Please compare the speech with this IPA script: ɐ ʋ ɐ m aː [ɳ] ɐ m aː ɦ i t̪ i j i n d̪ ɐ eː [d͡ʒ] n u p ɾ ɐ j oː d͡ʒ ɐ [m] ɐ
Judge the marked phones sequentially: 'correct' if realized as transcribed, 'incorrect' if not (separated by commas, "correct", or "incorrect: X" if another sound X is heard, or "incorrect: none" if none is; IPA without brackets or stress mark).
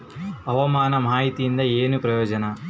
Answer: incorrect: n, incorrect: none, incorrect: n